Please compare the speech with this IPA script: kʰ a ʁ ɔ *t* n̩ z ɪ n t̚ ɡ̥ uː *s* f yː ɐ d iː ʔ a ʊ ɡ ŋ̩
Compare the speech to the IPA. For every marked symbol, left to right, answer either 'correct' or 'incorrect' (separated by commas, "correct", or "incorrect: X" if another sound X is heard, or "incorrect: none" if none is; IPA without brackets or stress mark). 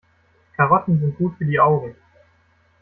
correct, incorrect: t